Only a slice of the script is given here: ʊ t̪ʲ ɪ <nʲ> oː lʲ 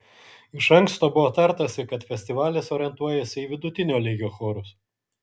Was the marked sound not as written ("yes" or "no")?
no